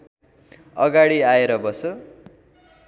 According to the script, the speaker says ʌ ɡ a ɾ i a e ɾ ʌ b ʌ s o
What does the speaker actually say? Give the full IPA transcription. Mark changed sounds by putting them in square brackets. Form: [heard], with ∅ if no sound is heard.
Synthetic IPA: ʌ ɡ a [ɽ] i a e ɾ ʌ b ʌ s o